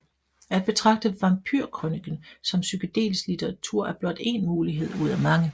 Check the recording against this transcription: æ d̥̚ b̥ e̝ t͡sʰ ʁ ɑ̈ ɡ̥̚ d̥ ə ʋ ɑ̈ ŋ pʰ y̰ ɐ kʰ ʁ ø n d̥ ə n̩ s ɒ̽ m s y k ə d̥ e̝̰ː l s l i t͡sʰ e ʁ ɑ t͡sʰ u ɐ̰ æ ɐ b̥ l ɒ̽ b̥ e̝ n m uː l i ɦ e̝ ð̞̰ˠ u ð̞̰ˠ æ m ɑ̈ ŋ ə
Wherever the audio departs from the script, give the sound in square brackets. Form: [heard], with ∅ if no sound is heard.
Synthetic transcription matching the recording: æ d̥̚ b̥ e̝ t͡sʰ ʁ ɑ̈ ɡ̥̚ d̥ ə ʋ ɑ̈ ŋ pʰ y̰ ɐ kʰ ʁ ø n [ɡ̥] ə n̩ s ɒ̽ m s y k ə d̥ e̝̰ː l s l i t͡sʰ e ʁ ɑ t͡sʰ u ɐ̰ æ ɐ b̥ l ɒ̽ [d̥] e̝ n m uː l i ɦ e̝ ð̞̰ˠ u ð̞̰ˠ æ m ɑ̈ ŋ ə

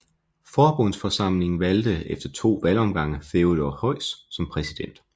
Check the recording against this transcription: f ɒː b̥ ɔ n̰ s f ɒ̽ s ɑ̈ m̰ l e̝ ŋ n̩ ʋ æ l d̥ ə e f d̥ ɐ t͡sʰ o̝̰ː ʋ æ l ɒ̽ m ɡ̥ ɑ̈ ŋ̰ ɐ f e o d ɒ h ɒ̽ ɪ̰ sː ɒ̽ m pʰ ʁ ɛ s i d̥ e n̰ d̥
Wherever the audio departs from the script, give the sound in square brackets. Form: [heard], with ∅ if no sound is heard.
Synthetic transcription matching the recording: f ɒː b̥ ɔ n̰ s f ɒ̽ s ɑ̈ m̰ l e̝ ŋ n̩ ʋ æ l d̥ ə e f d̥ ɐ t͡sʰ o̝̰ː ʋ æ l ɒ̽ m ɡ̥ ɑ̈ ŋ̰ [ə] f e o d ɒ h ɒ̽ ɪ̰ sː ɒ̽ m pʰ ʁ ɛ s i d̥ e n̰ d̥

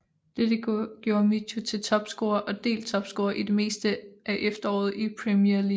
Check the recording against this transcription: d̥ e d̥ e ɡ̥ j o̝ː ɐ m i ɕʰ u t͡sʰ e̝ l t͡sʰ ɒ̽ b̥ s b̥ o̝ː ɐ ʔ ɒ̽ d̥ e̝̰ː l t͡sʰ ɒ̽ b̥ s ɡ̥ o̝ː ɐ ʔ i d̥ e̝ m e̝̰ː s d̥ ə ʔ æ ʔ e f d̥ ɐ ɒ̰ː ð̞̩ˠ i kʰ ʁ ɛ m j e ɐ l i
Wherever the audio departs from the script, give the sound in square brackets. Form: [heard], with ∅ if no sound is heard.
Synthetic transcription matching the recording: d̥ e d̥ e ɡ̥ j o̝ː ɐ m i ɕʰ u t͡sʰ e̝ l t͡sʰ ɒ̽ b̥ s [ɡ̥] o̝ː ɐ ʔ ɒ̽ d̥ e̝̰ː l t͡sʰ ɒ̽ b̥ s ɡ̥ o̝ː ɐ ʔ i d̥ e̝ m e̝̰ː s d̥ ə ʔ æ ʔ e f d̥ ɐ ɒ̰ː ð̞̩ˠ i [pʰ] ʁ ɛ m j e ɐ l i

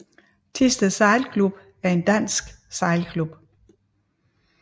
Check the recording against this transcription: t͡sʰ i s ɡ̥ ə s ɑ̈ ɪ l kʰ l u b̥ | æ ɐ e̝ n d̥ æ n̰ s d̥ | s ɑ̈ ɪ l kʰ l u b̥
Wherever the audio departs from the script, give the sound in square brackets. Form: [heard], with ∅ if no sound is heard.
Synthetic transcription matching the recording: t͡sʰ i s [d̥] ə s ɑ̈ ɪ l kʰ l u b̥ | æ ɐ e̝ n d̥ æ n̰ s [ɡ̥] | s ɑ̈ ɪ l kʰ l u b̥

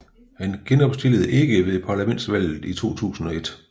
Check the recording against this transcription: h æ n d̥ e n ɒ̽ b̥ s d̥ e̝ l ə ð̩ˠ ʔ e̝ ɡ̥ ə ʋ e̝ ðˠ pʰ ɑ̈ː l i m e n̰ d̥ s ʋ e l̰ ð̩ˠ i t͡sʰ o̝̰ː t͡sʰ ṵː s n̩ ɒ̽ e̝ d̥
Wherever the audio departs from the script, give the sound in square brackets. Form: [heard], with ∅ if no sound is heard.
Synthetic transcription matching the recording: h æ n [ɡ̥] e n ɒ̽ b̥ s d̥ e̝ l ə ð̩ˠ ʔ e̝ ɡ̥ ə ʋ e̝ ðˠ pʰ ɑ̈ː l [æ] m e n̰ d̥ s ʋ [æ] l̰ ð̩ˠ i t͡sʰ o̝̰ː t͡sʰ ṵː s n̩ ɒ̽ e̝ d̥

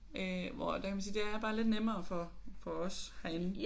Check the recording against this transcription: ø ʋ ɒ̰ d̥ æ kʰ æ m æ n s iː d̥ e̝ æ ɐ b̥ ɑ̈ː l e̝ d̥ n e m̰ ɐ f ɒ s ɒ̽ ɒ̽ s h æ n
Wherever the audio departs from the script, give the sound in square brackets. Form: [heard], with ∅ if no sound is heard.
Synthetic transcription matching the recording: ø ʋ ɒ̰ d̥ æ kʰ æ m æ n s iː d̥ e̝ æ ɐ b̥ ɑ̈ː l e̝ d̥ n e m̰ [ɐː] f ɒ [f] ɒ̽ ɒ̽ s h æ n

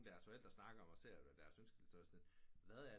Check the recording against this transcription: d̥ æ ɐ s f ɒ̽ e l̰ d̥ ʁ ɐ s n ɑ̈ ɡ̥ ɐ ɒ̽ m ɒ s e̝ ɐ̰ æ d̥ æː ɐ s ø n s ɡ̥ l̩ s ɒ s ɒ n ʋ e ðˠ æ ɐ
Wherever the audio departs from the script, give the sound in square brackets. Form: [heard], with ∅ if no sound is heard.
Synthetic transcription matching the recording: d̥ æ ɐ s f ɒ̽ e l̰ d̥ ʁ ɐ s n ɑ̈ ɡ̥ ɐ ɒ̽ m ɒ s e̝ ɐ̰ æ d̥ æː ɐ s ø n s ɡ̥ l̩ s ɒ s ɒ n ʋ [æ] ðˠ æ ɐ

